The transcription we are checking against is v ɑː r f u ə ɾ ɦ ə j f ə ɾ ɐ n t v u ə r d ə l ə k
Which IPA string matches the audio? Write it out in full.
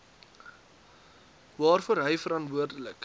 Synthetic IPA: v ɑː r f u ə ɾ ɦ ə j f ə ɾ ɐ n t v u ə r d ə l ə k

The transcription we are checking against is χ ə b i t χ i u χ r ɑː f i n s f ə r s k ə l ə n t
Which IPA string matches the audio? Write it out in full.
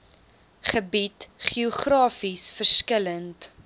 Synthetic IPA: χ ə b i t χ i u χ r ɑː f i s f ə r s k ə l ə n t

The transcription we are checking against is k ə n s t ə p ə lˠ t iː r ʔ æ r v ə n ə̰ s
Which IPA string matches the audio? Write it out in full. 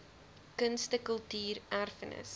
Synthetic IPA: k ə n s t ə k ə lˠ t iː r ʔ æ r f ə n ə̰ s

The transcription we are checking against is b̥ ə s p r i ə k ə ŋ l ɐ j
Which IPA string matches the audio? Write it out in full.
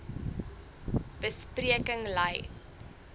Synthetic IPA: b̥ ə s p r i ə k ə ŋ l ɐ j

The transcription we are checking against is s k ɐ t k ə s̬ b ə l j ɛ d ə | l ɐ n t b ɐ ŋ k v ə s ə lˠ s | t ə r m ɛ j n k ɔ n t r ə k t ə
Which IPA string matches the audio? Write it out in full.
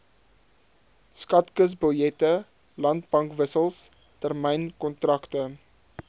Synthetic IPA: s k ɐ t k ə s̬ b ə l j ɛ t ə | l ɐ n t b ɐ ŋ k v ə s ə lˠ s | t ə r m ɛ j n k ɔ n t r ɐ k t ə

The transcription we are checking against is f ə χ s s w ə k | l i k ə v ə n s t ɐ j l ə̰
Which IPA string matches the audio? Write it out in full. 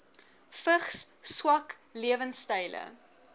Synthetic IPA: f ə χ s s w ɐ k | l i ə v ə n s t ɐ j l ə̰

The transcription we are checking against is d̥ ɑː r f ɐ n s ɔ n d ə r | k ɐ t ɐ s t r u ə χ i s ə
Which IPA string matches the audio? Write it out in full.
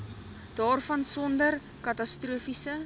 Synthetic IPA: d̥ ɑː r f ɐ n s ɔ n d ə r | k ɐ t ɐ s t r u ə f i s ə

